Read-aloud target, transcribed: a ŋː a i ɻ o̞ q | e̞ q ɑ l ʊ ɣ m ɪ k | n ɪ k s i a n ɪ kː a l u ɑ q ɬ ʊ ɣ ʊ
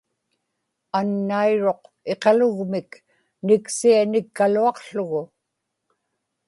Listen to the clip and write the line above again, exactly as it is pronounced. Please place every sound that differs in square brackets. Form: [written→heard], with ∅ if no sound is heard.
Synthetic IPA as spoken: a [ŋː→nː] a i ɻ o̞ q | e̞ q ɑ l ʊ ɣ m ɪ k | n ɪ k s i a n ɪ kː a l u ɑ q ɬ ʊ ɣ ʊ

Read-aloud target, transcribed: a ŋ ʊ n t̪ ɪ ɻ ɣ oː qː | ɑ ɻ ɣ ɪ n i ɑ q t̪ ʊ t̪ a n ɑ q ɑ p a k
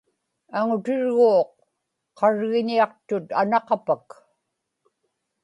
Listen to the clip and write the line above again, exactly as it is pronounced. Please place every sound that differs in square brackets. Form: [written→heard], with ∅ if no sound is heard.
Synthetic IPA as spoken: a ŋ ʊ [n→∅] t̪ ɪ ɻ ɣ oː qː | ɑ ɻ ɣ ɪ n i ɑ q t̪ ʊ t̪ a n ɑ q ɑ p a k

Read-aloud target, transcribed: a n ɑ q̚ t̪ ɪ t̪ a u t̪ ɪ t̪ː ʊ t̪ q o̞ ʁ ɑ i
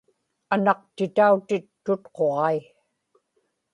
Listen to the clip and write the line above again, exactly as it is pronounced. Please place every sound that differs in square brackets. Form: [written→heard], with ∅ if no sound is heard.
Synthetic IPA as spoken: a n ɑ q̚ t̪ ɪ t̪ a u t̪ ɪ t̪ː ʊ t̪ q o̞ ʁ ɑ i

